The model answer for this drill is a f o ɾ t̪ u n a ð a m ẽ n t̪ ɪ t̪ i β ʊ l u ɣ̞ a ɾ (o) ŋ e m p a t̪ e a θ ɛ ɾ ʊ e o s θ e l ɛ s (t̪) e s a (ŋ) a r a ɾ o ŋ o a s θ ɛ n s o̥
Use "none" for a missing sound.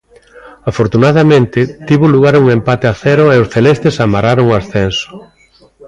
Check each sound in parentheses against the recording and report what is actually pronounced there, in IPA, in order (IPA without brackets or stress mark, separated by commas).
u, t̪, m